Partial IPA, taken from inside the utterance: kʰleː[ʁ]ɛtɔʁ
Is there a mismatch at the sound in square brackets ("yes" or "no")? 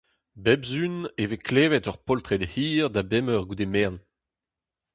yes